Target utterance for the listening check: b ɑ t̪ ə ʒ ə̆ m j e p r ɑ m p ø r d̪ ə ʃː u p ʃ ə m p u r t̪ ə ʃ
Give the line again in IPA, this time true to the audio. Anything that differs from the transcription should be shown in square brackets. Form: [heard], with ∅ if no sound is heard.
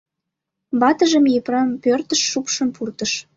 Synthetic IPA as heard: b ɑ t̪ ə ʒ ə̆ m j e p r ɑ m p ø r [t̪] ə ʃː u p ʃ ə m p u r t̪ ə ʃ